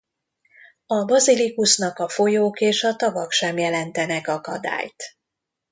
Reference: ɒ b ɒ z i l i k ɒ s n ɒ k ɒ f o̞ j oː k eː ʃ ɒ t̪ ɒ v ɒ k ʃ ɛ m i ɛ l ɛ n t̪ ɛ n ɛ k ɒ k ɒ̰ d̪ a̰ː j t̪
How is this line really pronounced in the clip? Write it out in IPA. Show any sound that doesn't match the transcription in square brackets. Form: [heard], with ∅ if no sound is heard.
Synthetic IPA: ɒ b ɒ z i l i k [u] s n ɒ k ɒ f o̞ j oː k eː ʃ ɒ t̪ ɒ v ɒ k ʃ ɛ m [j] ɛ l ɛ n t̪ ɛ n ɛ k ɒ k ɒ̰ d̪ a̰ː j t̪